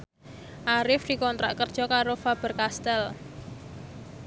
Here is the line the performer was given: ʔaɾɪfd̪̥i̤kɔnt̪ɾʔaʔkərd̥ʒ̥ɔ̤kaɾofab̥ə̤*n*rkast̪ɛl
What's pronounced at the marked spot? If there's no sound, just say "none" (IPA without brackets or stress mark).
none